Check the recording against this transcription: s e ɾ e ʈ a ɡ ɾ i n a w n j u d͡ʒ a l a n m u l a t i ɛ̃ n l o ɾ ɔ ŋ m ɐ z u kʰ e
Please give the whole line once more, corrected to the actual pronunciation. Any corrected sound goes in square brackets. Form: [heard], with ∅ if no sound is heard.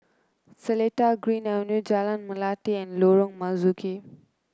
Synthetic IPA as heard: s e [l] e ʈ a ɡ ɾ i n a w n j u d͡ʒ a l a n m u l a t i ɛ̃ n l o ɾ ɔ ŋ m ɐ z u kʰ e